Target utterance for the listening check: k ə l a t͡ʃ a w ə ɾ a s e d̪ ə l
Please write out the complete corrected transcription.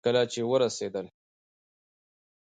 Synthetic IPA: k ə l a t͡ʃ e w ə ɾ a s e d̪ ə l

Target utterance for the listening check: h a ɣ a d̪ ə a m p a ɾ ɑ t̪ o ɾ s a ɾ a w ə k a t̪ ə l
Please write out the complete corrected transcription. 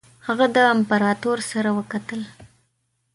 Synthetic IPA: h a ɣ a d̪ ə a m p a ɾ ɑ t̪ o ɾ s a ɾ a w ə k a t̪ ə l

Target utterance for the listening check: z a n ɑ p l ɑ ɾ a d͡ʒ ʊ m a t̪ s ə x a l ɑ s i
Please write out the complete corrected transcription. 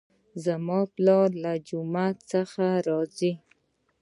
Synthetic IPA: z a m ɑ p l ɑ l a d͡ʒ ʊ m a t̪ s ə x a ɾ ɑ z i

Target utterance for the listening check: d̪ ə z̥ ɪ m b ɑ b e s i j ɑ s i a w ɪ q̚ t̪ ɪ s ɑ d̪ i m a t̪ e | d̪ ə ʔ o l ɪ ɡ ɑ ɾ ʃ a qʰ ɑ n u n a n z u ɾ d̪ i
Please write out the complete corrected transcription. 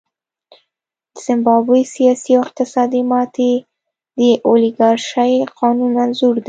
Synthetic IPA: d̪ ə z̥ ɪ m b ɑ b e s i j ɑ s i a w ɪ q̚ t̪ ɪ s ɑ d̪ i m ɑ t̪ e | d̪ ə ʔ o l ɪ ɡ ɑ ɾ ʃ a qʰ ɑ n u n a n z u ɾ d̪ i

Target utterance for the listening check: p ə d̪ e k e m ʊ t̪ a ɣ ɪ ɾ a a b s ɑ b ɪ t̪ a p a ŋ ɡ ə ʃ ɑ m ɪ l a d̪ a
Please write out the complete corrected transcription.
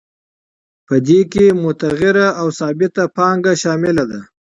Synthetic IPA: p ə d̪ e k e m ʊ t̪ a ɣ ɪ ɾ a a w s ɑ b ɪ t̪ a p ɑ ŋ ɡ a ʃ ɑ m ɪ l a d̪ a

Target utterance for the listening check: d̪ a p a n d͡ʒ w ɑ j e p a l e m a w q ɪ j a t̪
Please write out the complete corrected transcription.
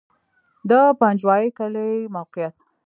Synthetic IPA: d̪ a p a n d͡ʒ w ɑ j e k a l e m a w q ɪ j a t̪

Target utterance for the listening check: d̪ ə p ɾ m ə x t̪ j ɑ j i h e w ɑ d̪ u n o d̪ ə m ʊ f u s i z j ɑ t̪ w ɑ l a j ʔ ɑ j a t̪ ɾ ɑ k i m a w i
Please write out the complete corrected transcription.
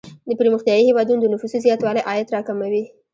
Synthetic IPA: d̪ ə p ɾ m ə x t̪ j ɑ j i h e w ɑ d̪ u n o d̪ ə n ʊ f u s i z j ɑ t̪ w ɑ l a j ʔ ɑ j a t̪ ɾ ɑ k a m a w i

